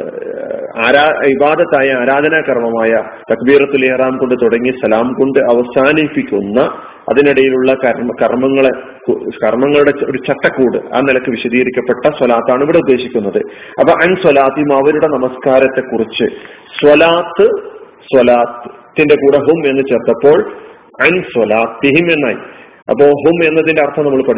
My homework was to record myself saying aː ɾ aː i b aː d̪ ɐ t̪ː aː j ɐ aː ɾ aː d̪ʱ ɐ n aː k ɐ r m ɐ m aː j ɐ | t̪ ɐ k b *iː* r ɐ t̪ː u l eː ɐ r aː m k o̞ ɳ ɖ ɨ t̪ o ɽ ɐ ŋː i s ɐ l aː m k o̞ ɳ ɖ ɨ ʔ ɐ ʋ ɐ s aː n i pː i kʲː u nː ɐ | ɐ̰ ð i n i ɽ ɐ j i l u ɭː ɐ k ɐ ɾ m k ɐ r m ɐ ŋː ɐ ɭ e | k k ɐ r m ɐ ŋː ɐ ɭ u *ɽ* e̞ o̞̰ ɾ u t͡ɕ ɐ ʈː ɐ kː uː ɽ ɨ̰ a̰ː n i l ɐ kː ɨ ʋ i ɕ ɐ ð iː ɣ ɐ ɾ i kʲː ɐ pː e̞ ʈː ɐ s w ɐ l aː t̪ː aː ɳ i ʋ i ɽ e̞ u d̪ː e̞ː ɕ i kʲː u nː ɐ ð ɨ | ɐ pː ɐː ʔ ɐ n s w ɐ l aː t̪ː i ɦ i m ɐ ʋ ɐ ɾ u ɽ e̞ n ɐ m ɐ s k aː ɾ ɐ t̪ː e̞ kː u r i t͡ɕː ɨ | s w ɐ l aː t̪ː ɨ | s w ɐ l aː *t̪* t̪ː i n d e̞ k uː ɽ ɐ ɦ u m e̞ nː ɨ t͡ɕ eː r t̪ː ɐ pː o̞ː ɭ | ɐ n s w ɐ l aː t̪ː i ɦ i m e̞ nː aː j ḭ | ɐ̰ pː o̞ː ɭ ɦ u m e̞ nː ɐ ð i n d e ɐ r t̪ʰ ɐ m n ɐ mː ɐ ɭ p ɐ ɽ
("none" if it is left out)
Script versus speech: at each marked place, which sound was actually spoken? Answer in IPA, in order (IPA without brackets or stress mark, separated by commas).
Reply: iː, ɽ, t̪